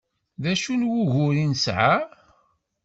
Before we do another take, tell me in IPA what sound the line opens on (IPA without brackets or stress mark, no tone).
ð